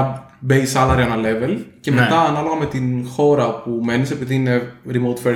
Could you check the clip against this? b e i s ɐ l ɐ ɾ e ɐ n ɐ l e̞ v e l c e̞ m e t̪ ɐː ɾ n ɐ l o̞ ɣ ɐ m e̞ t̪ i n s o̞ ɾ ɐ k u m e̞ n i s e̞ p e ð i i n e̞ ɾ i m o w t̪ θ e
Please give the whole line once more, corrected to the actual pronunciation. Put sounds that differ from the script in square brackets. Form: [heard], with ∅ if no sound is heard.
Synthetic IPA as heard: b e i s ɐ l ɐ ɾ [i] ɐ n ɐ l e̞ v e l c e̞ m e t̪ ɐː [∅] n ɐ l o̞ ɣ ɐ m e̞ t̪ i n [x] o̞ ɾ ɐ [p] u m e̞ n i s e̞ p [i] ð i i n e̞ ɾ i m o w t̪ [f] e